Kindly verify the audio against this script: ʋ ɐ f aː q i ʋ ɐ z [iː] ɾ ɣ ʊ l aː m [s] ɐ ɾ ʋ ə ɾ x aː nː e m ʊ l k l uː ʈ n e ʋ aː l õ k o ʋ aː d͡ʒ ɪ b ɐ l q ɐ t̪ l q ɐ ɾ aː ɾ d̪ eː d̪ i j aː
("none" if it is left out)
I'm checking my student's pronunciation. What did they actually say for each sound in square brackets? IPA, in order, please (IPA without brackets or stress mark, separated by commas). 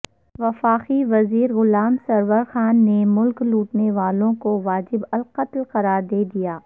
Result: iː, s